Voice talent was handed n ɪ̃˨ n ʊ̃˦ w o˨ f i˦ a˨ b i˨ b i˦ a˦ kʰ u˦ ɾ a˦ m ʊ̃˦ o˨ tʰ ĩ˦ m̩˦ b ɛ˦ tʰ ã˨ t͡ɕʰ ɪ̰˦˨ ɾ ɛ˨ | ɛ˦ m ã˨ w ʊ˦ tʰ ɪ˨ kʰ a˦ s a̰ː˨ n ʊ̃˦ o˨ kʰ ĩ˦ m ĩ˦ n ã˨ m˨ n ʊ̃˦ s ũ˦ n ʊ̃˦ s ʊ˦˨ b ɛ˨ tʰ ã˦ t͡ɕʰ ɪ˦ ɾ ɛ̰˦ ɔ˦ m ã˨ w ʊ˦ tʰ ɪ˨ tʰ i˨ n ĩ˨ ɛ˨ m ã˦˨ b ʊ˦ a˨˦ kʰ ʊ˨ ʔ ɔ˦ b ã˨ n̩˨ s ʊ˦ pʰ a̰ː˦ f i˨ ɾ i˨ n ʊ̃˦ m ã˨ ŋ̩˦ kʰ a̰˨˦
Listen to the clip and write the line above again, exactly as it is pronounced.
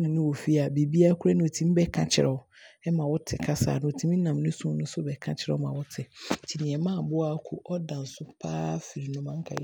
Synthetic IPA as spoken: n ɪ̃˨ n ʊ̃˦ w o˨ f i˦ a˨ b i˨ b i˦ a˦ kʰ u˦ ɾ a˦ n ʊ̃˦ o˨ tʰ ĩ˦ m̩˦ b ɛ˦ kʰ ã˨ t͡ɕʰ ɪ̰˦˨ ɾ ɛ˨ | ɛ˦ m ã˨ w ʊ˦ tʰ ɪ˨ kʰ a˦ s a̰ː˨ n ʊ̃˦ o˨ tʰ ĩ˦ m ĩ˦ n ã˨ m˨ n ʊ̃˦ s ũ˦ n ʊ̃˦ s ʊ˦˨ b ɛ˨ kʰ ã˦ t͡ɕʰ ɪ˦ ɾ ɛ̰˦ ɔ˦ m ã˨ w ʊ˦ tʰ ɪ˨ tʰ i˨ n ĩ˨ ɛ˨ m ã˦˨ b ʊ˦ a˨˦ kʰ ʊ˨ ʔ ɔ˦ d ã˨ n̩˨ s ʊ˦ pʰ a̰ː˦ f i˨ ɾ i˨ n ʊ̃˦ m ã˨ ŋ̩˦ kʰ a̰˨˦

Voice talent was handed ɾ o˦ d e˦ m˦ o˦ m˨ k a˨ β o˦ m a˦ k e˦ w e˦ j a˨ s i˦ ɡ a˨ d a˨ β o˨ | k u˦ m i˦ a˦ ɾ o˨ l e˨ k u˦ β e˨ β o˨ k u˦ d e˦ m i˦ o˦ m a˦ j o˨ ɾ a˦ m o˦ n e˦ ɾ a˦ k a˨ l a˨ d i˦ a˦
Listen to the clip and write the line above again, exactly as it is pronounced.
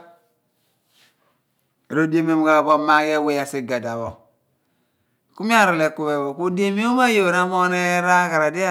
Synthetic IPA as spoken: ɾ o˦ d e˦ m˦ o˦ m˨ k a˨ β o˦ m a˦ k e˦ w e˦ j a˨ s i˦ ɡ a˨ d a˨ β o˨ | k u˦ m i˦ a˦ ɾ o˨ l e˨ k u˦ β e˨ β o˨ k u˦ d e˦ m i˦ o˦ m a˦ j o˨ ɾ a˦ m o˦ n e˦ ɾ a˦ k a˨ ɾ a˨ d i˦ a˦

